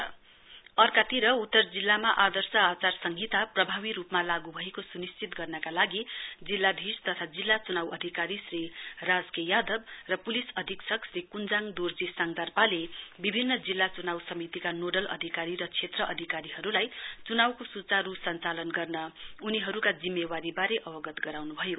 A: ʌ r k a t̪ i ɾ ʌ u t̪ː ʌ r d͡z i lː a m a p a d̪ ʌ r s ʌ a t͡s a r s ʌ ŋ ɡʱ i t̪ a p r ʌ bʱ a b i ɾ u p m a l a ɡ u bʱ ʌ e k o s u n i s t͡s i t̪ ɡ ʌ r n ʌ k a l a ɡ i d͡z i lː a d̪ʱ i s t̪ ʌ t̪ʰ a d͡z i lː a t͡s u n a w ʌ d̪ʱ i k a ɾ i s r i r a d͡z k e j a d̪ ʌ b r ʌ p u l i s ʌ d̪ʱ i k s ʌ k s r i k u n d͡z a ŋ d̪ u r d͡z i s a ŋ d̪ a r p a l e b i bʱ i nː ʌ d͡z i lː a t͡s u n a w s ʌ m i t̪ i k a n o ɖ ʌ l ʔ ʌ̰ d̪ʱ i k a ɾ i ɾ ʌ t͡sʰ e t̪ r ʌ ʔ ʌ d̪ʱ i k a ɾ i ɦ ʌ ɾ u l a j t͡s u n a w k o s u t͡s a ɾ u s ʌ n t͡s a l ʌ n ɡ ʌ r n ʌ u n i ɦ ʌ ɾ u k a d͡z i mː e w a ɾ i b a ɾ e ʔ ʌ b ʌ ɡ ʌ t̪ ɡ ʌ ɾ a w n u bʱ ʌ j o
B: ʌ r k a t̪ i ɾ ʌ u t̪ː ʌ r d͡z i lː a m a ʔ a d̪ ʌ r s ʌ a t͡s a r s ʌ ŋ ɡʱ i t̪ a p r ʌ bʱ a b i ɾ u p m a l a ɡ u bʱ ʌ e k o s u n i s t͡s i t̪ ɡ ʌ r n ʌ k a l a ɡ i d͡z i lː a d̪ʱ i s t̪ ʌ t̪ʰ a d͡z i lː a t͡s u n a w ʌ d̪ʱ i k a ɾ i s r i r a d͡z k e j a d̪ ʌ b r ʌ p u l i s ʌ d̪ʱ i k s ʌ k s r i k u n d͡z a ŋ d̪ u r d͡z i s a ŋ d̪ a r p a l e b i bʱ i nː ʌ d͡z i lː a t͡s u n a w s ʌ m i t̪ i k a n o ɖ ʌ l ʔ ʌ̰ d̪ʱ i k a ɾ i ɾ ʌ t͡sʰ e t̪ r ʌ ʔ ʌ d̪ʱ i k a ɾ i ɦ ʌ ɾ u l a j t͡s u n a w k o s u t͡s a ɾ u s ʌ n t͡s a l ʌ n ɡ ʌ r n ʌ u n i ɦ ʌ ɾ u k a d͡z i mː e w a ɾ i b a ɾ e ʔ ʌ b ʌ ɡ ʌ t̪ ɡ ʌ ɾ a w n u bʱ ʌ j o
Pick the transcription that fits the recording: B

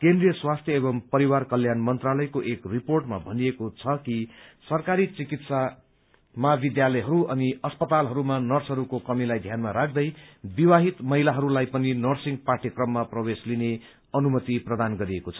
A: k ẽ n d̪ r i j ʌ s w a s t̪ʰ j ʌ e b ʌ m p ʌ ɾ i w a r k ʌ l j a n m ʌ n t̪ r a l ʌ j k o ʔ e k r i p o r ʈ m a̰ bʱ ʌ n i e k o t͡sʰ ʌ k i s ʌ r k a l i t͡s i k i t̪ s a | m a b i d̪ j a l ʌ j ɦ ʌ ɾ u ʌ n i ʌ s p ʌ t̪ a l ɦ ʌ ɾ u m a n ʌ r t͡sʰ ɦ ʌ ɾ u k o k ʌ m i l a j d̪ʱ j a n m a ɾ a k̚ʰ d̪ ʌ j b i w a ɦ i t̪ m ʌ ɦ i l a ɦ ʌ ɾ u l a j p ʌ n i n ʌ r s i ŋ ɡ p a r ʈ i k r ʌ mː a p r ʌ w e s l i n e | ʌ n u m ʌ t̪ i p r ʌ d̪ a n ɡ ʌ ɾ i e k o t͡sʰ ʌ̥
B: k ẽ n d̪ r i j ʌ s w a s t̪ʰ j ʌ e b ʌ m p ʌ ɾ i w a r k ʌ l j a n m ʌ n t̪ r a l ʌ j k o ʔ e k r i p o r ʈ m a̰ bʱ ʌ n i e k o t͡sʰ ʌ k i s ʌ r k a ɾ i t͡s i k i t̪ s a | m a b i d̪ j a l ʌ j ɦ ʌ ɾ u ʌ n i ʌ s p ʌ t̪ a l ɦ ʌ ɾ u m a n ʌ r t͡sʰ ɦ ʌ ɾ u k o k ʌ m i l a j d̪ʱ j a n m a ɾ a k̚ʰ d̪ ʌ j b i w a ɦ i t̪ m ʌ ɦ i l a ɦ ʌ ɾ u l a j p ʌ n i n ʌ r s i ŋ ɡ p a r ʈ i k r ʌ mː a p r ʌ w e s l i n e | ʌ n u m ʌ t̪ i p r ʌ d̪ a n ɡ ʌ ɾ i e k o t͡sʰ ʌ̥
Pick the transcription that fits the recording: B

